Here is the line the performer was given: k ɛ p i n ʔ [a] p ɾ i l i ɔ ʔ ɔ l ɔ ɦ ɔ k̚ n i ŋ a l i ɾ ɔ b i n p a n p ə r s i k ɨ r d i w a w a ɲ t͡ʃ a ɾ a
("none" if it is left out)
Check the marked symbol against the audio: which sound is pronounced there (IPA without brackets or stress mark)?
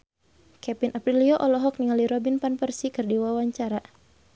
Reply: a